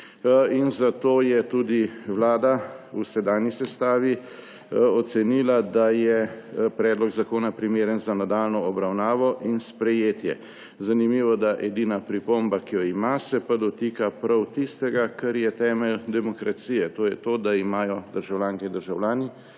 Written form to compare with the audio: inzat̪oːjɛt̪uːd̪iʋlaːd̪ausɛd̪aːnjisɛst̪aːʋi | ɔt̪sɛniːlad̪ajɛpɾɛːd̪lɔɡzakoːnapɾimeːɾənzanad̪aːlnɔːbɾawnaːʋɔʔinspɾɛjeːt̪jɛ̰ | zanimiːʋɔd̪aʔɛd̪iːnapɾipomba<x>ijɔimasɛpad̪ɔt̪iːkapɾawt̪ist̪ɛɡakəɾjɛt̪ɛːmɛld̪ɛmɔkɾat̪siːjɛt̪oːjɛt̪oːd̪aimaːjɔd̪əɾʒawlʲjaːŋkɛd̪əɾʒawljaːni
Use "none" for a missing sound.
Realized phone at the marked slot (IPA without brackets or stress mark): k